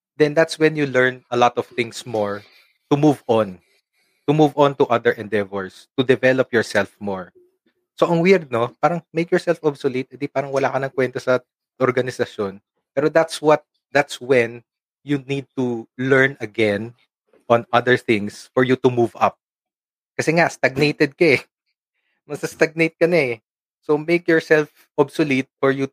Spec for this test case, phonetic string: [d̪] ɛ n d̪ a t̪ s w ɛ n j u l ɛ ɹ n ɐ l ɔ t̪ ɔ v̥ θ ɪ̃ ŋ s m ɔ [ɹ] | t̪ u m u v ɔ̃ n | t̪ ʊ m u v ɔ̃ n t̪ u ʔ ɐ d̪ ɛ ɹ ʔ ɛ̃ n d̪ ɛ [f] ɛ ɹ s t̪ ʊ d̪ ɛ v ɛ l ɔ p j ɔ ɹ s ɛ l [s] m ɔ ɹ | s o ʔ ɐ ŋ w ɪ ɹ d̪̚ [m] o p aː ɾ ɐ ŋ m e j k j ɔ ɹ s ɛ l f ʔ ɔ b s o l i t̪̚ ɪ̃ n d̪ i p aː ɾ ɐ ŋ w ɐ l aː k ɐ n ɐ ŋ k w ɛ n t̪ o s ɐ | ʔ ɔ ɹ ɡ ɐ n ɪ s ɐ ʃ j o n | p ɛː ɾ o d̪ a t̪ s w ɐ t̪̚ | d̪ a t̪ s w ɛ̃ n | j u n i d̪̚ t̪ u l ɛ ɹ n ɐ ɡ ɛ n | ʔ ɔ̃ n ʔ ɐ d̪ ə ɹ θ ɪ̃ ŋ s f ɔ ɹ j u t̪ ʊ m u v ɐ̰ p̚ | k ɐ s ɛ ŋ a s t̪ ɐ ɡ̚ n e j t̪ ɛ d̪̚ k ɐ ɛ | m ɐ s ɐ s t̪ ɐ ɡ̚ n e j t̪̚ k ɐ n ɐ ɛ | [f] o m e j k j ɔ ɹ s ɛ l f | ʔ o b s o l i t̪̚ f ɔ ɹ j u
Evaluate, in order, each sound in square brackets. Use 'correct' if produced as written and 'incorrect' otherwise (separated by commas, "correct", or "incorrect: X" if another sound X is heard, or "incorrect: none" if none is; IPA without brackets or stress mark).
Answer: correct, correct, incorrect: v, incorrect: f, incorrect: n, incorrect: s